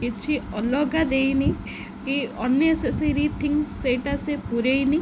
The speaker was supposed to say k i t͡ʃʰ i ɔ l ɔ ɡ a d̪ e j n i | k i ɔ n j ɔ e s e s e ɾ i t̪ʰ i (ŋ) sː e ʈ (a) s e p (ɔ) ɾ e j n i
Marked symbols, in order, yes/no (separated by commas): yes, yes, no